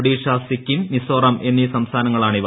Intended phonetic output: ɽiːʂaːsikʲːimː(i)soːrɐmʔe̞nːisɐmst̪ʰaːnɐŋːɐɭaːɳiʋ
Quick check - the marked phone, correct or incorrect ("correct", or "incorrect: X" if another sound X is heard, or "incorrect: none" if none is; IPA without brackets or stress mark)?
correct